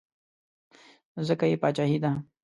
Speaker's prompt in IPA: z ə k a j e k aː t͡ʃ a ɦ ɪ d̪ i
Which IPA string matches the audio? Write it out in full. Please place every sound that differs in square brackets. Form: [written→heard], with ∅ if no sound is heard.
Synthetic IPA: z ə k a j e [k→p] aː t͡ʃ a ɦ [ɪ→i] d̪ [i→a]